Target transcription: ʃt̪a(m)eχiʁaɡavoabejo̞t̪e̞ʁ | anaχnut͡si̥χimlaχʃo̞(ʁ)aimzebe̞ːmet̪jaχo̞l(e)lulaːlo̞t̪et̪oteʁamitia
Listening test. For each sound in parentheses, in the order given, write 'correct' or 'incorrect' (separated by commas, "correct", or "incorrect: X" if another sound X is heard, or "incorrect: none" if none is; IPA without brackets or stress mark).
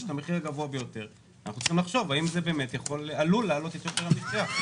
correct, incorrect: v, incorrect: a